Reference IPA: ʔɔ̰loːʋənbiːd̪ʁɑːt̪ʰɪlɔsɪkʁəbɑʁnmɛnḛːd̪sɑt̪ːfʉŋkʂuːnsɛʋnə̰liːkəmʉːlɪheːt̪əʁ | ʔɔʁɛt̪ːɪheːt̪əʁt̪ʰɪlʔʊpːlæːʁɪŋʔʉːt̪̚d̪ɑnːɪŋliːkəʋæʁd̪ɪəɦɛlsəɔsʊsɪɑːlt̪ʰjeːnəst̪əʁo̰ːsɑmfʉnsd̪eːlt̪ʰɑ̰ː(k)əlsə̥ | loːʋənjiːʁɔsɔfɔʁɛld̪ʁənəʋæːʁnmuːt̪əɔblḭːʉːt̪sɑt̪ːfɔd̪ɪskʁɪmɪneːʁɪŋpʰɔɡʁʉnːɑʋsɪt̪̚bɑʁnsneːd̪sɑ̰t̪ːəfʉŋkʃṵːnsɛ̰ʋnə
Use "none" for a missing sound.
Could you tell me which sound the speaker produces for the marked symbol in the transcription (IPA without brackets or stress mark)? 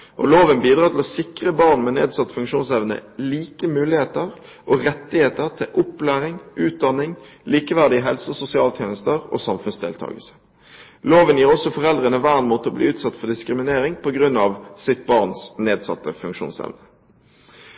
ɡ